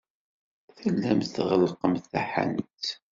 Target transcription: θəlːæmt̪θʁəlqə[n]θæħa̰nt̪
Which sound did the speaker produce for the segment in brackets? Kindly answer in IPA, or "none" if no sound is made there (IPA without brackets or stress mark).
m